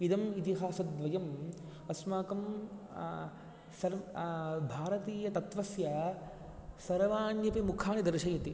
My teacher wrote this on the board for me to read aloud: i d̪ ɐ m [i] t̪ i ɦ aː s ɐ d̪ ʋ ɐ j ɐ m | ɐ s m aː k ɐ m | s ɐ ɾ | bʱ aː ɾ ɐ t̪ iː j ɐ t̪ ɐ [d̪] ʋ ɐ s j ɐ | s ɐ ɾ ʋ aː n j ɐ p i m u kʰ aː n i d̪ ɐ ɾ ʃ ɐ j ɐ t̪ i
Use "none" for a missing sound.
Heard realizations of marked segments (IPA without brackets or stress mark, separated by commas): i, t̪